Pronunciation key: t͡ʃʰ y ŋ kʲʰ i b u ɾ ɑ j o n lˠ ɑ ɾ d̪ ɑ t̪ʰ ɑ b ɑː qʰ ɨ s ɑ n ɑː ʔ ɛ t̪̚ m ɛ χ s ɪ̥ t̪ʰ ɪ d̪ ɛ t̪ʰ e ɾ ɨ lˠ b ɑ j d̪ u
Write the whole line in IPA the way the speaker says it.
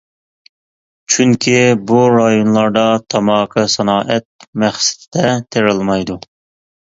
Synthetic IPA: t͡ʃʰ y ŋ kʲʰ i b u ɾ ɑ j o n lˠ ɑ ɾ d̪ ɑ t̪ʰ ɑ m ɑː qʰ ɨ s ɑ n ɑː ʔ ɛ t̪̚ m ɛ χ s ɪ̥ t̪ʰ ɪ d̪ ɛ t̪ʰ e ɾ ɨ lˠ m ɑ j d̪ u